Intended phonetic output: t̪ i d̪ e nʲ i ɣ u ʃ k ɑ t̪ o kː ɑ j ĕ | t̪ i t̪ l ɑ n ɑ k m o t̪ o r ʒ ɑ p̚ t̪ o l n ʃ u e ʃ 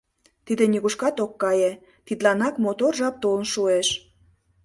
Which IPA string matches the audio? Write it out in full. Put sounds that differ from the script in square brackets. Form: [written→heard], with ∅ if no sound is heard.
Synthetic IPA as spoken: t̪ i d̪ e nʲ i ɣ u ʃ k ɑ t̪ o kː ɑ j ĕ | t̪ i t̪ l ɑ n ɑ k m o t̪ o r ʒ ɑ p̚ t̪ o l n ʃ u e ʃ